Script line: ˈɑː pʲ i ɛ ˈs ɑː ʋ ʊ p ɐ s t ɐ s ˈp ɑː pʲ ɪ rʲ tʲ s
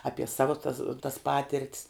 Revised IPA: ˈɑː pʲ i ɛ ˈs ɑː ʋ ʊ t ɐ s t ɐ s ˈp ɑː tʲ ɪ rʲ tʲ s